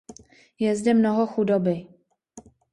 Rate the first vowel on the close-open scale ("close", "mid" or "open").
mid